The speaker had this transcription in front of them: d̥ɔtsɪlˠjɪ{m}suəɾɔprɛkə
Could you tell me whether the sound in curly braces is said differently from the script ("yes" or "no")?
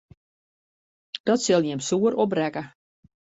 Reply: no